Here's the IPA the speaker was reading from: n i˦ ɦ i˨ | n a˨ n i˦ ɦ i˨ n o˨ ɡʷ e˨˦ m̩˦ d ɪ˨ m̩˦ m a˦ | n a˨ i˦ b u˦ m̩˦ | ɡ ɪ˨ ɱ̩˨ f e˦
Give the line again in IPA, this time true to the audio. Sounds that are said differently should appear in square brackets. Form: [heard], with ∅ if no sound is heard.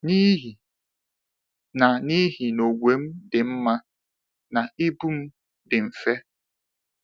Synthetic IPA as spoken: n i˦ ɦ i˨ | n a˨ n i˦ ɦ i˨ n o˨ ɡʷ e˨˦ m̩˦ d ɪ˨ m̩˦ m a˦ | n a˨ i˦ b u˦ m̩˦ | [d] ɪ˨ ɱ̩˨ f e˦